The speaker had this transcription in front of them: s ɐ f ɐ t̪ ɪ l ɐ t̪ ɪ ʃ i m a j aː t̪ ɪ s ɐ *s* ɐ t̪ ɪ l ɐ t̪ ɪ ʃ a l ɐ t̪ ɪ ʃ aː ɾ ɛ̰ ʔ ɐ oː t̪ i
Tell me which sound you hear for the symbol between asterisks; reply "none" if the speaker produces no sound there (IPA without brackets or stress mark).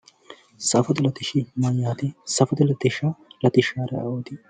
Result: f